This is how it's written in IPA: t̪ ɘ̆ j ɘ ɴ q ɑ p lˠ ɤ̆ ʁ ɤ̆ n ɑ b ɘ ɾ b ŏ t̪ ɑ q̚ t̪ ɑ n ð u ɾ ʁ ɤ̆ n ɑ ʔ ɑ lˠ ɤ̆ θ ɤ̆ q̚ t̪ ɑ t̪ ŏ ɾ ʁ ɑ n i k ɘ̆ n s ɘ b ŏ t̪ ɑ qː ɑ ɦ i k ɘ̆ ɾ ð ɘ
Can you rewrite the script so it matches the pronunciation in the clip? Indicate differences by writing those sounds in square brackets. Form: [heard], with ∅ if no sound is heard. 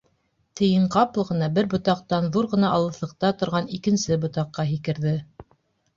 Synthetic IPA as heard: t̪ ɘ̆ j ɘ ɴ q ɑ p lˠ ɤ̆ ʁ ɤ̆ n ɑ b ɘ ɾ b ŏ t̪ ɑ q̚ t̪ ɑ n ð u ɾ ʁ ɤ̆ n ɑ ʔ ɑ lˠ ɤ̆ θ ɤ̆ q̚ t̪ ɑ t̪ ŏ ɾ ʁ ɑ n i k ɘ̆ n s ɘ b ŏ t̪ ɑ qː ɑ ɦ i k ɘ̆ ɾ ð ɘ